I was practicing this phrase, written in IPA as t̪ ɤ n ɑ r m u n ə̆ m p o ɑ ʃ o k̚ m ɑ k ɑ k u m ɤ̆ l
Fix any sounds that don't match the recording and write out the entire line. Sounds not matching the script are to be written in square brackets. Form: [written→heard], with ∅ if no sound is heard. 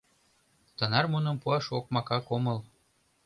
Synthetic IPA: t̪ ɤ n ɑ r m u n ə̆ m p [o→u] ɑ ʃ o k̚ m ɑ k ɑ k [u→o] m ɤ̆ l

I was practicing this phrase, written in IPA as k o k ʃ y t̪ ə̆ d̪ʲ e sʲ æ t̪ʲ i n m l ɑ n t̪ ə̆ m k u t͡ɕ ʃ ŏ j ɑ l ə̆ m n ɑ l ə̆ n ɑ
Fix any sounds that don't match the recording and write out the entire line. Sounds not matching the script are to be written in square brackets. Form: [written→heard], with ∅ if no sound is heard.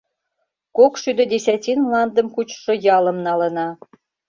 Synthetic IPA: k o k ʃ y [t̪→d̪] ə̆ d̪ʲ e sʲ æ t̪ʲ i n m l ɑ n [t̪→d̪] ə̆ m k u t͡ɕ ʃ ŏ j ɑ l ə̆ m n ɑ l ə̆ n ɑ

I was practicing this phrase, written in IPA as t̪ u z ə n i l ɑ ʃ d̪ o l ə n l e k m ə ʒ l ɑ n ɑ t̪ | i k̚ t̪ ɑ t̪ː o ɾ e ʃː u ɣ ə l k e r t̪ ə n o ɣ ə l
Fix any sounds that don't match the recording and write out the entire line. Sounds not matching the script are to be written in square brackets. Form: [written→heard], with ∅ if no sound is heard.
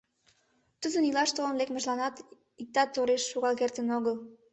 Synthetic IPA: t̪ u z ə n i l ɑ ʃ [d̪→t̪] o l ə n l e k m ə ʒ l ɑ n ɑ t̪ | i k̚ t̪ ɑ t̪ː o ɾ e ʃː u ɣ [ə→ɑ] l k e r t̪ ə n o ɣ ə l

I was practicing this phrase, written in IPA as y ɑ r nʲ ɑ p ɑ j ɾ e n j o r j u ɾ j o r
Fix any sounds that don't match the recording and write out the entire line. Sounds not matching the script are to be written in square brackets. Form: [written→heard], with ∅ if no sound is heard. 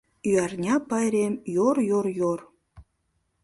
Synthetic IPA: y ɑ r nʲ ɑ p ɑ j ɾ e [n→m] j o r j [u→o] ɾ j o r

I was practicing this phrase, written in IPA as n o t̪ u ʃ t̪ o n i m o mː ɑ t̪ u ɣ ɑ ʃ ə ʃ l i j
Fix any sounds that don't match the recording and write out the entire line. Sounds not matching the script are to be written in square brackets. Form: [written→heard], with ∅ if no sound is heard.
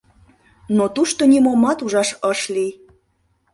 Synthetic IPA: n o t̪ u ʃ t̪ o n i m o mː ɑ t̪ u [ɣ→ʒ] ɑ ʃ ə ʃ l i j

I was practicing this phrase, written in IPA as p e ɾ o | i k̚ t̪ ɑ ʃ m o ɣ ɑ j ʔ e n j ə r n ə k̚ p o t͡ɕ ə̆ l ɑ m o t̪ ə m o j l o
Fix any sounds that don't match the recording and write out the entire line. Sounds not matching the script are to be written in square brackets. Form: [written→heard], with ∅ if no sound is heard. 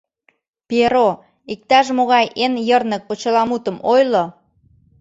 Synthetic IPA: p e ɾ o | i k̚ t̪ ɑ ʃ m o ɣ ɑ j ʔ e n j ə r n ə k̚ p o t͡ɕ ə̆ l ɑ m [o→u] t̪ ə m o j l o

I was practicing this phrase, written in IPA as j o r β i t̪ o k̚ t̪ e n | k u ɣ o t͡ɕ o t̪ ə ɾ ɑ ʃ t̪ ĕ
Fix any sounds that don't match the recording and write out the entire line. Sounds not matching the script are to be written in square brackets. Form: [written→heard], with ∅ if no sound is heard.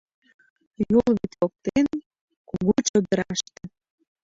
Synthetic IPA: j o [r→l] β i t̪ o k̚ t̪ e n | k u ɣ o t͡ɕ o [t̪→d̪] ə ɾ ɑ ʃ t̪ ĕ

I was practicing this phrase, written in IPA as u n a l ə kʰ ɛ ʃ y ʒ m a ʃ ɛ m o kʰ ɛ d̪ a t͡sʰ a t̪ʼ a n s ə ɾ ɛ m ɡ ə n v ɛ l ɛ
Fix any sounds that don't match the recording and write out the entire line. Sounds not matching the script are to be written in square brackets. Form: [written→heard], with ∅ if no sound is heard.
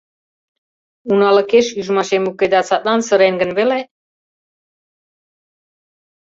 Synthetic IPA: u n a l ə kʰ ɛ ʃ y ʒ m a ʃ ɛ m [o→u] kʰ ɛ d̪ a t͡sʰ a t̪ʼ a n s ə ɾ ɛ [m→n] ɡ ə n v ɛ l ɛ

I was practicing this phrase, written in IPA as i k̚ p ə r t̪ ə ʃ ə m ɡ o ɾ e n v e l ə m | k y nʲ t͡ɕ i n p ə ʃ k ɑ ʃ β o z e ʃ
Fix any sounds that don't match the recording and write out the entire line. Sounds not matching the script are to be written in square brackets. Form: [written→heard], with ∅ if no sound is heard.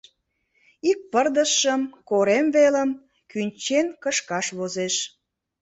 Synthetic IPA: i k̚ p ə r [t̪→d̪] ə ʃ ə m [ɡ→k] o ɾ e [n→m] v e l ə m | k y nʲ t͡ɕ [i→e] n [p→k] ə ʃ k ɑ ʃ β o z e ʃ

